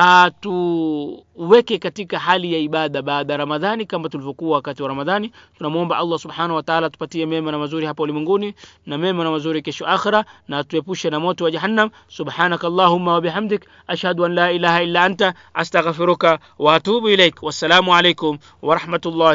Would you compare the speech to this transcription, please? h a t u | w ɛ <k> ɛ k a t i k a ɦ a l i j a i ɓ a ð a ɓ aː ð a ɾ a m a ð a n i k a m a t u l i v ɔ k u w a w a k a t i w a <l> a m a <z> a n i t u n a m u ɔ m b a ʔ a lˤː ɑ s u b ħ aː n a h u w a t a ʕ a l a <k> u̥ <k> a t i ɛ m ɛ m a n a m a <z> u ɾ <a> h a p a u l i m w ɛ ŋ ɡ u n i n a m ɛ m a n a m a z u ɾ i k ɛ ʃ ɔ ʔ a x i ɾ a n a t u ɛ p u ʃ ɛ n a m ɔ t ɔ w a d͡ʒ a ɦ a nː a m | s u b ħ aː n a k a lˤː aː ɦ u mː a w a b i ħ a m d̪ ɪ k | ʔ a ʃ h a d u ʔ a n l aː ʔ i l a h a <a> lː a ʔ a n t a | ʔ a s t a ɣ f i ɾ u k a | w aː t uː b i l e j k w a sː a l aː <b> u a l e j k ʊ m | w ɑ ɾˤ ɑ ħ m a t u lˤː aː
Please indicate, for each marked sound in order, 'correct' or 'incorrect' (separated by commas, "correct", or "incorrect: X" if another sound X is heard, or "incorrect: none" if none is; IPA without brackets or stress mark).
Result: correct, incorrect: ɾ, incorrect: ð, incorrect: t, incorrect: p, correct, incorrect: i, incorrect: i, incorrect: m